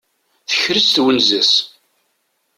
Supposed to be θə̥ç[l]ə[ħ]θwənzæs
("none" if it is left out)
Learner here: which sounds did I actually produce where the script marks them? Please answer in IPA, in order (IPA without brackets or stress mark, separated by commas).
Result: ɾ, s